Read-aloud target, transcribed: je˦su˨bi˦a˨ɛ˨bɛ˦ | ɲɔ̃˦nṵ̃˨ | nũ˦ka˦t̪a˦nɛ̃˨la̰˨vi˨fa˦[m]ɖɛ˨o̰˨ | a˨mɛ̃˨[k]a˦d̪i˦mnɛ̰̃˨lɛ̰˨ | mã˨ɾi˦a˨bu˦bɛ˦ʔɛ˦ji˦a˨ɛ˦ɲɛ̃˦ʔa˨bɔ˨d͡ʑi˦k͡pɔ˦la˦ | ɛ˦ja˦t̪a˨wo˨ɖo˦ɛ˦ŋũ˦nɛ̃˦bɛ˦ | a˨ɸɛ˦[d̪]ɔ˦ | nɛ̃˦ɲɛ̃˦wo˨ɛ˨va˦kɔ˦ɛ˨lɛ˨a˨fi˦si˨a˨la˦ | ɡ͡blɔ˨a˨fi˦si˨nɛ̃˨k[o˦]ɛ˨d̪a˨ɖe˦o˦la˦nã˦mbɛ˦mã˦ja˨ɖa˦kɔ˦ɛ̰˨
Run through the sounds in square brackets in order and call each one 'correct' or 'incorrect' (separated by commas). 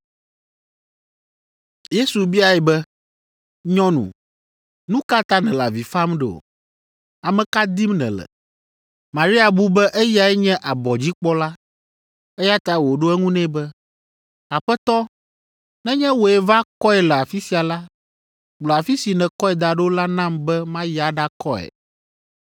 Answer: correct, correct, incorrect, incorrect